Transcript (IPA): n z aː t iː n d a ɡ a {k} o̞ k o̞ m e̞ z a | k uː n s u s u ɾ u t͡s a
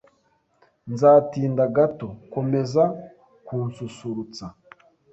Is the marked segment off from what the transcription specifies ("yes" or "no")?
yes